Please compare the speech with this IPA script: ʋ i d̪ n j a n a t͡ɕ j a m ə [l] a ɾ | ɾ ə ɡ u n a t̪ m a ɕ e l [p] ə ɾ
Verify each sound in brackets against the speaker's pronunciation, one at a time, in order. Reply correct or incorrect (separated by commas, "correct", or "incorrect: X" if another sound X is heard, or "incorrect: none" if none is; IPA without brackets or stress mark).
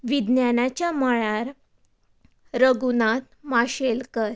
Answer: incorrect: ɭ, incorrect: k